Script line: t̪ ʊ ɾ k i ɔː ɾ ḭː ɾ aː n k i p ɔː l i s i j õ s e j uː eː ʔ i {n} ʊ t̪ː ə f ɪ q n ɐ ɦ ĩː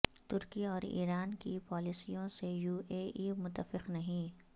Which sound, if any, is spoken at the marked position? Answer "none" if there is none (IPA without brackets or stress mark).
m